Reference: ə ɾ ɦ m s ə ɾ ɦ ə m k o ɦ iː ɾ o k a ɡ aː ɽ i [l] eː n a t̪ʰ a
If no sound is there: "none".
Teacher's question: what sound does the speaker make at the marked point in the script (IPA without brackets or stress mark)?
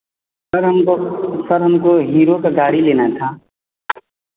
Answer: l